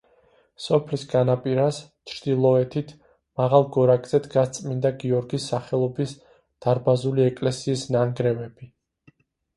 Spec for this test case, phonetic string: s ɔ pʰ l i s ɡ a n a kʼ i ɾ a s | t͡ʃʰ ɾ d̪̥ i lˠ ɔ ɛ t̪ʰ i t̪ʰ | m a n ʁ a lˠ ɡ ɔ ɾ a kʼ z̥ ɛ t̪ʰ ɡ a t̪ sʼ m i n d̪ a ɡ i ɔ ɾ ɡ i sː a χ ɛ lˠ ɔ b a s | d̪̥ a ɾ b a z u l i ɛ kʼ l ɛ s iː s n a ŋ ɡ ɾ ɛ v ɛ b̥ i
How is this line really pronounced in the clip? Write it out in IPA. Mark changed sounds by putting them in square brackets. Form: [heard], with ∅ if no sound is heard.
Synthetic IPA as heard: s ɔ pʰ l i s ɡ a n a [pʼ] i ɾ a s | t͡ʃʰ ɾ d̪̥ i lˠ ɔ ɛ t̪ʰ i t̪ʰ | m a [∅] ʁ a lˠ ɡ ɔ ɾ a kʼ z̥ ɛ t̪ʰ ɡ a t̪ sʼ m i n d̪ a ɡ i ɔ ɾ ɡ i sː a χ ɛ lˠ ɔ b [i] s | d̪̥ a ɾ b a z u l i ɛ kʼ l ɛ s iː s n a ŋ ɡ ɾ ɛ v ɛ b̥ i